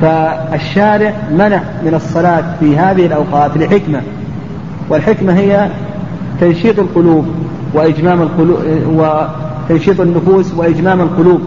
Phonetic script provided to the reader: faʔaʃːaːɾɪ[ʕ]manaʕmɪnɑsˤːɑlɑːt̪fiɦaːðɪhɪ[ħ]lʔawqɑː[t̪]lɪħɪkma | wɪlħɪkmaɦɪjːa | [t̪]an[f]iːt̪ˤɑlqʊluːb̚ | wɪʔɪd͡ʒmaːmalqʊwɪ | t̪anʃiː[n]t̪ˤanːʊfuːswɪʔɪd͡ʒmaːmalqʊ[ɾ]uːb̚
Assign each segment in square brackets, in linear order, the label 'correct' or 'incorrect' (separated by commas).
correct, incorrect, correct, correct, incorrect, incorrect, incorrect